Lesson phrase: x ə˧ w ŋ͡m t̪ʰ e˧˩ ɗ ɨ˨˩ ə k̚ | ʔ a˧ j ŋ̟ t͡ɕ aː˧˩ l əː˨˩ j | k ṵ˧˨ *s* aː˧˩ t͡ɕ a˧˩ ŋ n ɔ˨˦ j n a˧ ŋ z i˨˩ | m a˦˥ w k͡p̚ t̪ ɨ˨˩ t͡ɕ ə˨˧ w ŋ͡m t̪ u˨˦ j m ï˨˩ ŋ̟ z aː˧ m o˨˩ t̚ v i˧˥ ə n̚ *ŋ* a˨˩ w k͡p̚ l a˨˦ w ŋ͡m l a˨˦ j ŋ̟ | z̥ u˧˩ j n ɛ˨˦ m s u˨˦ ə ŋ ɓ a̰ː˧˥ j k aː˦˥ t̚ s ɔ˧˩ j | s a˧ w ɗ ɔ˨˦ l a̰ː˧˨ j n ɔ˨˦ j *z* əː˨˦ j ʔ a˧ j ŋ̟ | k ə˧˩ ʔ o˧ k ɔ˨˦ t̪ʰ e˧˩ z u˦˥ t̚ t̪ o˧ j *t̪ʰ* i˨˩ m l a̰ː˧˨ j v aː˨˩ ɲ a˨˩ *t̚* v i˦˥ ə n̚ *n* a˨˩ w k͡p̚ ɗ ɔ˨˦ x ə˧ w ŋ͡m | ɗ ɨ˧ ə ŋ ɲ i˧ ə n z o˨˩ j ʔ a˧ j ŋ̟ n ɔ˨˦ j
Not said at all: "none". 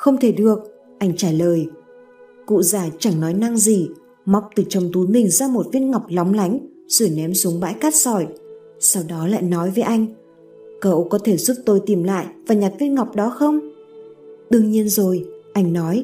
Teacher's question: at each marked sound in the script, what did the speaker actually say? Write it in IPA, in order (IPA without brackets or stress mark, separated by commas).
z, ŋ, v, t̪, t̚, ŋ